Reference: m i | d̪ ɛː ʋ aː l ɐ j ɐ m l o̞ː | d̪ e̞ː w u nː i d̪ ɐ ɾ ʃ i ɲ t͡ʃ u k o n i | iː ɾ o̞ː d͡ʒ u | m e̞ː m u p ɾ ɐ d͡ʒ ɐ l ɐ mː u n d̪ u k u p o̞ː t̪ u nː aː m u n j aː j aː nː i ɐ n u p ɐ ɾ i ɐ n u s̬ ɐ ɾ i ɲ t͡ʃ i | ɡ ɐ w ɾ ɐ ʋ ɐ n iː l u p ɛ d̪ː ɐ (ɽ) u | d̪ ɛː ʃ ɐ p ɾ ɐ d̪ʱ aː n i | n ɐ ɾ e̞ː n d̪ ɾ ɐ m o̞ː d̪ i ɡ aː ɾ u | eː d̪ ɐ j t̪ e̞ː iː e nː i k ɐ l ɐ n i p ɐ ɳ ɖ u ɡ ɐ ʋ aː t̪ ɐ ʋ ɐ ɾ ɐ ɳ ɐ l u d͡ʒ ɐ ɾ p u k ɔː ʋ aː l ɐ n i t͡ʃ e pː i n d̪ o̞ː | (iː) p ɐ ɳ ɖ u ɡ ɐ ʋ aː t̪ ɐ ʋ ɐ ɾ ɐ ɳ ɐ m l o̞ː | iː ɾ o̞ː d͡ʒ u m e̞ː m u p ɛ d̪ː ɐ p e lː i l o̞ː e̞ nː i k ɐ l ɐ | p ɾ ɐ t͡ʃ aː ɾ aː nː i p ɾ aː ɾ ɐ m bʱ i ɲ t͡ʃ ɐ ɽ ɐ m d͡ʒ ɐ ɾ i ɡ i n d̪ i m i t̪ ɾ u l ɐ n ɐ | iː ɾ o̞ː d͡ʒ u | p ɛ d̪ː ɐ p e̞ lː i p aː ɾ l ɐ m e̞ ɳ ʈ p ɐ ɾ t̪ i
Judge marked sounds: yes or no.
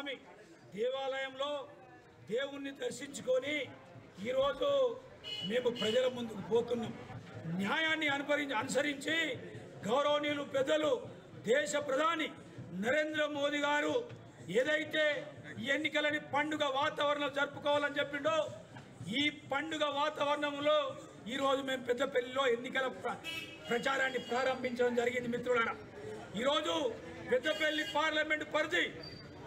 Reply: no, yes

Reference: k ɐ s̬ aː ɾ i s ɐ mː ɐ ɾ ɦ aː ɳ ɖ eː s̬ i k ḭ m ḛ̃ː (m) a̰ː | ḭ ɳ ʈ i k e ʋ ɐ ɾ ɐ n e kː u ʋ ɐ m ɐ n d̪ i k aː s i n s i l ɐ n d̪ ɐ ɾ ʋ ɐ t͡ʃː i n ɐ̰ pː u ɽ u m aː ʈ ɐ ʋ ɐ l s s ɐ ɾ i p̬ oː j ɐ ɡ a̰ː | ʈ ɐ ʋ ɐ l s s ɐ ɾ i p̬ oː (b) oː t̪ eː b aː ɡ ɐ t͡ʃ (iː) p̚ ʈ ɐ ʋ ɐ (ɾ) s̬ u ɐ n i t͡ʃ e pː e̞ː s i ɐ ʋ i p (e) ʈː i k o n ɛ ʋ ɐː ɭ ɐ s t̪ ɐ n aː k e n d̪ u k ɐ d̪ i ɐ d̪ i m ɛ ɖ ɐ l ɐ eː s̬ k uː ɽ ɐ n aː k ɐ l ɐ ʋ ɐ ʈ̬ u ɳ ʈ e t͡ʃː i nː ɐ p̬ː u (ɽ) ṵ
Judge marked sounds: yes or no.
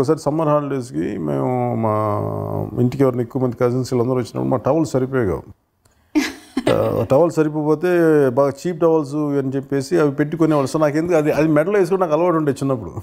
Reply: yes, no, yes, no, yes, yes

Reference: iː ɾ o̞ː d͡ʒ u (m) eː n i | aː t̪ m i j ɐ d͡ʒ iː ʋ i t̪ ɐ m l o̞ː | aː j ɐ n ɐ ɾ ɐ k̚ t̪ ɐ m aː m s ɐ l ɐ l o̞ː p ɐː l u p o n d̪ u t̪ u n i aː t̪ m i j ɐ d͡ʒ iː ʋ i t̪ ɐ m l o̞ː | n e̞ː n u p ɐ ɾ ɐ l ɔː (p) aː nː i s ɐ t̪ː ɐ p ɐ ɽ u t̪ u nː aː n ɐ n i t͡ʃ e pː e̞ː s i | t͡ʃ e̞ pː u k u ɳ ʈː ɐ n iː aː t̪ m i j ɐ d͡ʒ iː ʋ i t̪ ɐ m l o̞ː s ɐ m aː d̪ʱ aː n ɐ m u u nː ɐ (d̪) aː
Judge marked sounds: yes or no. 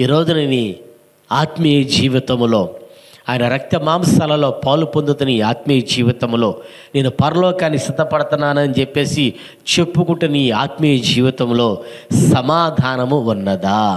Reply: no, no, yes

